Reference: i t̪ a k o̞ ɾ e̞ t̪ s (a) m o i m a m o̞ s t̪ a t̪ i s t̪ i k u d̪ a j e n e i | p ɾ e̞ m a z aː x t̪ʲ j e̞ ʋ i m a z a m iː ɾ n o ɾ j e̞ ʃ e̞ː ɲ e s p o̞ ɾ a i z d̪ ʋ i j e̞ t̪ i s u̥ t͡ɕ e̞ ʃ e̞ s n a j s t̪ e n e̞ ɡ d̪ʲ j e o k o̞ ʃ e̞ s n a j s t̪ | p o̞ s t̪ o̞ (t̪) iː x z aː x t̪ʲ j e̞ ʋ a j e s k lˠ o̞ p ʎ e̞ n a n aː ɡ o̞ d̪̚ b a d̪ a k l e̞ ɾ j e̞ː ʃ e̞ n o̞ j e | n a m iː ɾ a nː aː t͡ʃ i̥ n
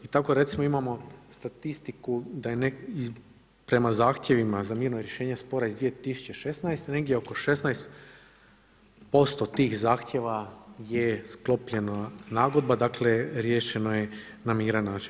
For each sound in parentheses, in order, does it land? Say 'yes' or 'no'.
no, yes

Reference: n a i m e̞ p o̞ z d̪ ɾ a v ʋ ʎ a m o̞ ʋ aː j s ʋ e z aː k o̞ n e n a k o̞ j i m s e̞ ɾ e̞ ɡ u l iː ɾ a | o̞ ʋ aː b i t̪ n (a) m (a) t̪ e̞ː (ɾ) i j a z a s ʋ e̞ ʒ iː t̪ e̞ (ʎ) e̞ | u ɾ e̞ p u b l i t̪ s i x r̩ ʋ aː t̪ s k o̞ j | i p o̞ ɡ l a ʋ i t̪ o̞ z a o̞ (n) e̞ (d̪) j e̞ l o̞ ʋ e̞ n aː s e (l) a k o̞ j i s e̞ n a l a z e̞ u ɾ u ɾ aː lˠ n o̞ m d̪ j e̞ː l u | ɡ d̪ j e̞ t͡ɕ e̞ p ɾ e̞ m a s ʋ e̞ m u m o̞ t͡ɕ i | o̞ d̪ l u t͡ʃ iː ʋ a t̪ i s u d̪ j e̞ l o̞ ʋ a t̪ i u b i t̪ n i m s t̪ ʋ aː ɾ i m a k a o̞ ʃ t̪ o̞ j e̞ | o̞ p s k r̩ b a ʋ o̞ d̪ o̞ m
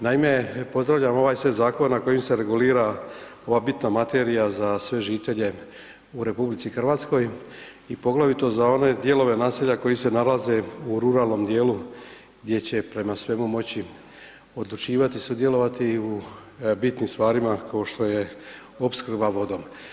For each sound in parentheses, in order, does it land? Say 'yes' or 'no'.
yes, yes, yes, yes, yes, yes, no

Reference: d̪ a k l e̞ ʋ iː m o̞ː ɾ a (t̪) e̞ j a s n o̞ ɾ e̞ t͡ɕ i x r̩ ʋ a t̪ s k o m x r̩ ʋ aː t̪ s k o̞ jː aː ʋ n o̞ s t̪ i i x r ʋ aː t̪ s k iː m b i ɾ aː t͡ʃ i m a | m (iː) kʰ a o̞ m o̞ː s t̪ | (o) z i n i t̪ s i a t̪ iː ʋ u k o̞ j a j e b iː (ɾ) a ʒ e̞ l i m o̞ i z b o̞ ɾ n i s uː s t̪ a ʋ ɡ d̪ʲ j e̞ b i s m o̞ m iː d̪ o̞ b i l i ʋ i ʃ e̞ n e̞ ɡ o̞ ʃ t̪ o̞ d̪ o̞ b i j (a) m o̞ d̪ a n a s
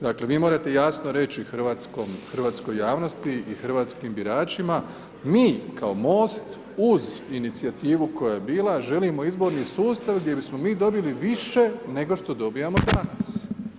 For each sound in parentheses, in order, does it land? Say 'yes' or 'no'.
yes, yes, no, no, yes

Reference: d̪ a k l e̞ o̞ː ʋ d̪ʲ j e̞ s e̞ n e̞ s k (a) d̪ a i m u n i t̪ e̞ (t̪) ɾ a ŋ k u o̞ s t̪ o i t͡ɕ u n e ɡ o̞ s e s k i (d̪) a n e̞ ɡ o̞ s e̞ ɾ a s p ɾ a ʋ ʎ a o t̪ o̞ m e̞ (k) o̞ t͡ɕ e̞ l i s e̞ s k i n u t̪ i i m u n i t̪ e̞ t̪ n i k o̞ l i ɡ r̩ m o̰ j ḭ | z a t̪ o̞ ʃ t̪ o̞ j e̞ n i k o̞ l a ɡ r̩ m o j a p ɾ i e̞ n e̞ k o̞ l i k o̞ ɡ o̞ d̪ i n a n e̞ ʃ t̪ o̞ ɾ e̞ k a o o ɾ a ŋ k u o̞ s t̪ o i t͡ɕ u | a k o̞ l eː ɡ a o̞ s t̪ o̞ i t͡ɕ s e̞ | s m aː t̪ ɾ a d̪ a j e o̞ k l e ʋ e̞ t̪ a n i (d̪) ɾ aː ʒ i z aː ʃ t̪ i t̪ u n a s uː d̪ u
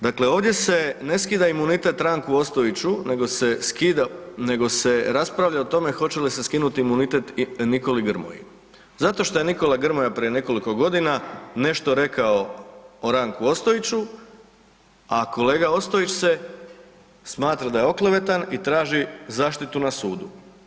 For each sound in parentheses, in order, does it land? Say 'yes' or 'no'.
no, yes, yes, no, no

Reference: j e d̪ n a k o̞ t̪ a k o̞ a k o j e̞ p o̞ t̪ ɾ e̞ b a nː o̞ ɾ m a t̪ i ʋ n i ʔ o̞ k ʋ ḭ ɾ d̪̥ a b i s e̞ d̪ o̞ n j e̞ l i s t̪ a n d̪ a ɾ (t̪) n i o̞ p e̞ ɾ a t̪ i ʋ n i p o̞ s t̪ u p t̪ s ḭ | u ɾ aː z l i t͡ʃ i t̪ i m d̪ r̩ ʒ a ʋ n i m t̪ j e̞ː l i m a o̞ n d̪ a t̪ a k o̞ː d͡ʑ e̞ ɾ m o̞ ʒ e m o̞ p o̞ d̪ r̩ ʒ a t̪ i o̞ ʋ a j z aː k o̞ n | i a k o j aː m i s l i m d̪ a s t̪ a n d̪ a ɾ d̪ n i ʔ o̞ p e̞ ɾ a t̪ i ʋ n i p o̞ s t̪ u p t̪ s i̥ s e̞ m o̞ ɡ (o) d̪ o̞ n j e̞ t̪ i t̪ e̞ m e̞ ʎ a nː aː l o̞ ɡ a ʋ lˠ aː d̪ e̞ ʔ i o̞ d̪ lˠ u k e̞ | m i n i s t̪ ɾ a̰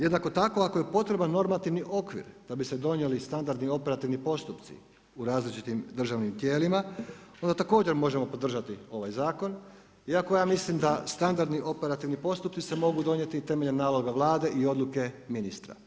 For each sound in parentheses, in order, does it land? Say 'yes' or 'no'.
no, no

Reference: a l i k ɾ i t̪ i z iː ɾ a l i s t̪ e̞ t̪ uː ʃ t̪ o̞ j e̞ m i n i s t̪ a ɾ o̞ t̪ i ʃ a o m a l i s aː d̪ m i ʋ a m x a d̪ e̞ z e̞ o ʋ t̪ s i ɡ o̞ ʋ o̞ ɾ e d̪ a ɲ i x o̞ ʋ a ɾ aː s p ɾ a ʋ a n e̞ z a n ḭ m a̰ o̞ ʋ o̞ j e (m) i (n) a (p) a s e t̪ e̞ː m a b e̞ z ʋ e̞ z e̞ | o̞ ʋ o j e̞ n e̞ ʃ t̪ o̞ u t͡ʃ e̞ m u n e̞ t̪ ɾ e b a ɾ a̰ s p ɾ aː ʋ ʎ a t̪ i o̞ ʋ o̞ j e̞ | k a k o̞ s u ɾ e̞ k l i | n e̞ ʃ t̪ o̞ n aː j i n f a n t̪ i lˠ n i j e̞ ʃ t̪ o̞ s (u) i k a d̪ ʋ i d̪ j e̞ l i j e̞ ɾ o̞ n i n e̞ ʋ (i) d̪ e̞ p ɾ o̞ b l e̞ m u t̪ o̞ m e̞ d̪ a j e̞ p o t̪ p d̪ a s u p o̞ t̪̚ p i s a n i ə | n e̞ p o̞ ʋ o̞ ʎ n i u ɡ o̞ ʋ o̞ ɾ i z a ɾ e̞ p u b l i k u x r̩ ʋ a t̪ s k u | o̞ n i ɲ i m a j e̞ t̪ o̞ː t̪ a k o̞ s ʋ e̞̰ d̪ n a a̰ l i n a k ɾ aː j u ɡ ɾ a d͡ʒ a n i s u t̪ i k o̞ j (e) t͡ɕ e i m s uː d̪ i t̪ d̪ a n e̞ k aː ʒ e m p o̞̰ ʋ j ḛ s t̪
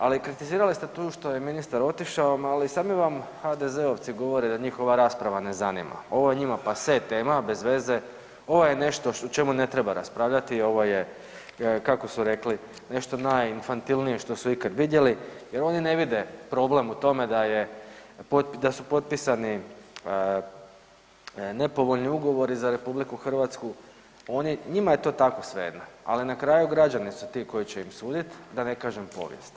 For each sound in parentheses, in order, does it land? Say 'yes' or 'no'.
no, no, yes, yes, yes, no

